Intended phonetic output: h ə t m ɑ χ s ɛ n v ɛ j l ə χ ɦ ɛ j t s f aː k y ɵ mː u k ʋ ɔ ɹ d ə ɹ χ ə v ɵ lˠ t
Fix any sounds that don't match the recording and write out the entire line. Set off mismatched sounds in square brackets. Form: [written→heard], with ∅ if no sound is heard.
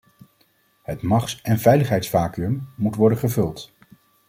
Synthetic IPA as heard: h ə t m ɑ χ s ɛ n v ɛ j l ə χ ɦ ɛ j t s f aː k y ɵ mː u [k→t] ʋ ɔ ɹ d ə [ɹ→∅] χ ə v ɵ lˠ t